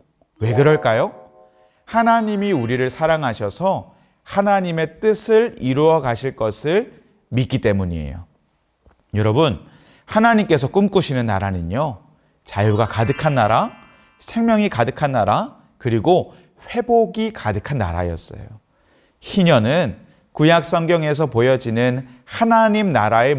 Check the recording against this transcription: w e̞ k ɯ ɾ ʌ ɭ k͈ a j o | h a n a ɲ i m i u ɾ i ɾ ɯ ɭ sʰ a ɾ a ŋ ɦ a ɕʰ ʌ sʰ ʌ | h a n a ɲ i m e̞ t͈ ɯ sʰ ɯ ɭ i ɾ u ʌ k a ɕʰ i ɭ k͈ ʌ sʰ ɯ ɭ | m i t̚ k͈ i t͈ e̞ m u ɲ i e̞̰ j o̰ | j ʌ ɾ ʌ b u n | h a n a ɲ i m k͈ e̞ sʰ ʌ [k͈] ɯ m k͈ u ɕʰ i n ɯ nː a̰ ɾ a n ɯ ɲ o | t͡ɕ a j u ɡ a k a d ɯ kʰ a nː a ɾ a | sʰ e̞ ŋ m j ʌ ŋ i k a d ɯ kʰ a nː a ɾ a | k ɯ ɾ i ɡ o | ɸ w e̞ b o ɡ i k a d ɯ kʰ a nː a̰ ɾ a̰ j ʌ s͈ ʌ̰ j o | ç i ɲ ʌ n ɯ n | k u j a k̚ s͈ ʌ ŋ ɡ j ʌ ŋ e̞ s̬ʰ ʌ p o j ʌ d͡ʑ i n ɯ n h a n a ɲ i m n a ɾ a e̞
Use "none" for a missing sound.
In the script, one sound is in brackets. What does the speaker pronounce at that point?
k͈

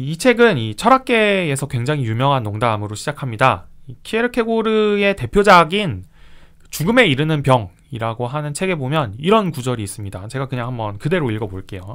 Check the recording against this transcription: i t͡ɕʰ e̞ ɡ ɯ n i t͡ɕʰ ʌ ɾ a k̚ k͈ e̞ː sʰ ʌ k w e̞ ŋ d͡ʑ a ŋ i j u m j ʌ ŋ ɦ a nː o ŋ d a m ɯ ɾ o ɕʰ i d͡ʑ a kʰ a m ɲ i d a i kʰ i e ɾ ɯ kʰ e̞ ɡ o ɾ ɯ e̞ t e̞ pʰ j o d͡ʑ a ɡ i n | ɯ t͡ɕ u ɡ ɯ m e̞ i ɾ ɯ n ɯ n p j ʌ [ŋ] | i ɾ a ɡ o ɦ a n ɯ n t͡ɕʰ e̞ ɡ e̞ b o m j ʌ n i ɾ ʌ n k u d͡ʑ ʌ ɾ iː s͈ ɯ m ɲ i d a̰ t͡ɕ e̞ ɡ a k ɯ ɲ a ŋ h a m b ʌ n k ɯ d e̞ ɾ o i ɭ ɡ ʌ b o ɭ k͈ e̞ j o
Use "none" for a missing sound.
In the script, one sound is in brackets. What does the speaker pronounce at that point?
ŋ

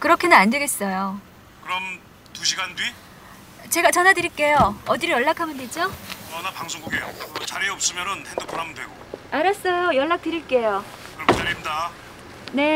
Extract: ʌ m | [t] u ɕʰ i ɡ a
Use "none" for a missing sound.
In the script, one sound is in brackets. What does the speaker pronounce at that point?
t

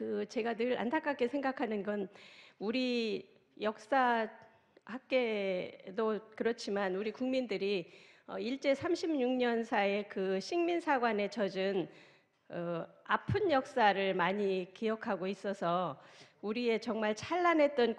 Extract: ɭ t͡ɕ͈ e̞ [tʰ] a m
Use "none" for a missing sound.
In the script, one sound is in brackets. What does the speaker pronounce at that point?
sʰ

